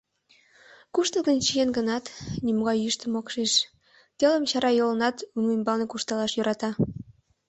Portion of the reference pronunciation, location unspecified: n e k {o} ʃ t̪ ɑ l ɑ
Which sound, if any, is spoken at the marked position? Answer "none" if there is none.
u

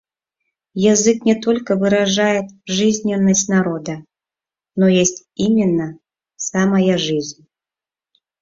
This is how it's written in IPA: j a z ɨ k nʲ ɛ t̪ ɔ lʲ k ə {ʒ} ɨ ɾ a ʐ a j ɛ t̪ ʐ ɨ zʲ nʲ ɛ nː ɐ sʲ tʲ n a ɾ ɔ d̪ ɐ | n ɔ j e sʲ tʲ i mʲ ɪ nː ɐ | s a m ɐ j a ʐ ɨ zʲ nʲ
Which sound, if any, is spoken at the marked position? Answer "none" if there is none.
v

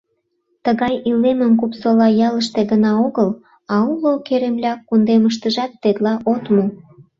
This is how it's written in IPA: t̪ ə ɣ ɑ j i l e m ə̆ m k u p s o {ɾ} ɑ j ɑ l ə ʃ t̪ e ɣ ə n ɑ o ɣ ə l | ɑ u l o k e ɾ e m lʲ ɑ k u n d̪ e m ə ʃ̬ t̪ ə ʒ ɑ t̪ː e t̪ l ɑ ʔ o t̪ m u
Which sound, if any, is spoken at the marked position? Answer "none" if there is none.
l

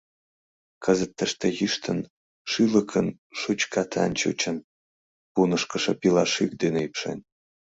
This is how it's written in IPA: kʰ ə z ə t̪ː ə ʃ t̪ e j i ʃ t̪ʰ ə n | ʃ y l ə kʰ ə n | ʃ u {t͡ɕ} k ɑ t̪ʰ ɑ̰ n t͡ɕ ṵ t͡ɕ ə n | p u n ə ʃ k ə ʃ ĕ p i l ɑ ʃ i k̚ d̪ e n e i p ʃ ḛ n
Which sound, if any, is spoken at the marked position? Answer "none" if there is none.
t͡ɕ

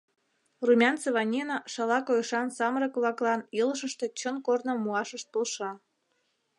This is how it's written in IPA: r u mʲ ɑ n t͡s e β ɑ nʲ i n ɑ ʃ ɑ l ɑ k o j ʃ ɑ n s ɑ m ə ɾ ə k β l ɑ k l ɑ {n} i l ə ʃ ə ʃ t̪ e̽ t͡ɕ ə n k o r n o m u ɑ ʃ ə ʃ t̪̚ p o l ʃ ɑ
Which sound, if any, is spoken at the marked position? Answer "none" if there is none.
n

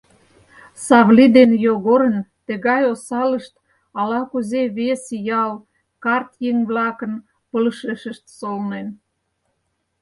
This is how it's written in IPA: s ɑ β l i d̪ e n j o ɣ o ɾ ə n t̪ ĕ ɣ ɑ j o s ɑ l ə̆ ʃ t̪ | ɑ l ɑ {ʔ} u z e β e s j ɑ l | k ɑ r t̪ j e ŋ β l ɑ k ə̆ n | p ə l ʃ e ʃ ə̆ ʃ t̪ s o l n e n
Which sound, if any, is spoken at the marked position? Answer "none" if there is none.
k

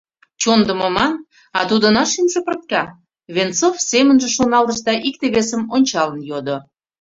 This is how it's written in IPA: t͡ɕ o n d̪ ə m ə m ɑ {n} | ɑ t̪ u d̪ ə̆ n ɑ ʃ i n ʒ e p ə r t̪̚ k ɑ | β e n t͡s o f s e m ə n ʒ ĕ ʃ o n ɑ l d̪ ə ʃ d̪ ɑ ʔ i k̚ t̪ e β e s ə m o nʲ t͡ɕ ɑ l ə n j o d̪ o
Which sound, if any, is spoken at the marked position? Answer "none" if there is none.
n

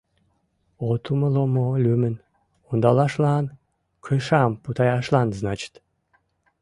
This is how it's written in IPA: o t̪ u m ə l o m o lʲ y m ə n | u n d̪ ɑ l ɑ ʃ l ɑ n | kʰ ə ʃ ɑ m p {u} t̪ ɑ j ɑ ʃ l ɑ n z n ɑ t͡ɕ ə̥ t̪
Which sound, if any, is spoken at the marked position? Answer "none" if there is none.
u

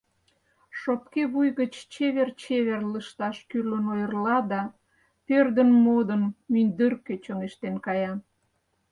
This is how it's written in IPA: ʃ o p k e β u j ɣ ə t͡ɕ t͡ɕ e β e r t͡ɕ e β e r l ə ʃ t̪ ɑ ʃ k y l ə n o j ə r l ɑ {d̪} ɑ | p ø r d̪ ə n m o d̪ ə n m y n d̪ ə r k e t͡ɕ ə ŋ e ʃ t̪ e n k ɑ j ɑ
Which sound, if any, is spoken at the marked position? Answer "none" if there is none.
d̪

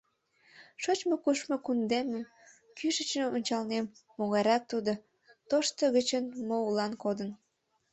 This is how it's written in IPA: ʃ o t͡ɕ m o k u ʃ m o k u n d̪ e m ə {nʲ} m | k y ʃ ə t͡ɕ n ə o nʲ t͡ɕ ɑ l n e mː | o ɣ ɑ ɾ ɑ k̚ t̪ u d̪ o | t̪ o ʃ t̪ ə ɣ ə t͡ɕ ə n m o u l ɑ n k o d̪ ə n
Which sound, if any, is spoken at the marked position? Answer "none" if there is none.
none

